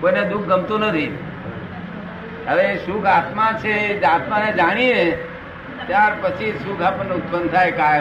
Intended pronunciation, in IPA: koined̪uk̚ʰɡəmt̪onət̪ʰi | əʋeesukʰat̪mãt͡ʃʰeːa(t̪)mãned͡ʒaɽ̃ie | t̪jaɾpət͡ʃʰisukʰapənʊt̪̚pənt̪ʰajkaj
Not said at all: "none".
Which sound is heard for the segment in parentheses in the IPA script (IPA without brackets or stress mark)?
t̪